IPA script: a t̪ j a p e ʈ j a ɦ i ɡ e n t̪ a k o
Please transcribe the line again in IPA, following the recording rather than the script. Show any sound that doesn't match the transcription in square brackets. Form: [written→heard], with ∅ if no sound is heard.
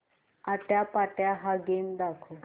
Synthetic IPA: a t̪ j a p [e→a] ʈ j a ɦ [i→a] ɡ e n [t̪→d̪] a [k→kʰ] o